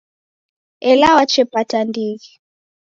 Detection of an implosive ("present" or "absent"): absent